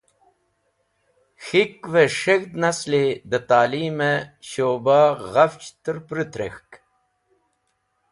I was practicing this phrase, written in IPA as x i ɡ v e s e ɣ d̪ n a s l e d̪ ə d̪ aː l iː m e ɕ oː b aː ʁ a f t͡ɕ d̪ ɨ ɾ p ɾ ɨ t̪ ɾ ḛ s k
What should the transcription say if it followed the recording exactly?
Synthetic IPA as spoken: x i k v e ʂ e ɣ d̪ n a s l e d̪ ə t̪ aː l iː m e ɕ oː b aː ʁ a f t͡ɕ t̪ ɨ ɾ p ɾ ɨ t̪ ɾ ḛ x k